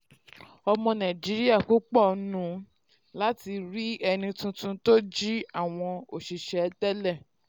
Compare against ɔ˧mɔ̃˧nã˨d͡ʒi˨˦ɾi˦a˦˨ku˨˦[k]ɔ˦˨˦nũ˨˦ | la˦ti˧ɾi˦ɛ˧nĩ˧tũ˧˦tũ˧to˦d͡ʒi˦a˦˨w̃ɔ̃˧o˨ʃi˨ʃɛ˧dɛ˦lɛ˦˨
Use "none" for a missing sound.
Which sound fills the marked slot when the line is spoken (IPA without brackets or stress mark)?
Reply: k͡p